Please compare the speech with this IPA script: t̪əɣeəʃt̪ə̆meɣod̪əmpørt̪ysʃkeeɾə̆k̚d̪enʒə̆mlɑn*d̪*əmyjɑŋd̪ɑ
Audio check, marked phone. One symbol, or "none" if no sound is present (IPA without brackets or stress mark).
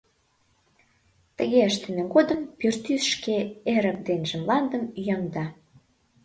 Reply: d̪